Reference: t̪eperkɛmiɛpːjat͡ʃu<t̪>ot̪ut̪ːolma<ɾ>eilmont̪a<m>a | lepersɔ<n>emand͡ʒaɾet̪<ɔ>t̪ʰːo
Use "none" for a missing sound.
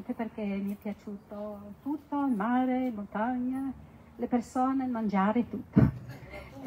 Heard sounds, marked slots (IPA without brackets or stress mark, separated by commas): t̪, ɾ, ɲ, n, u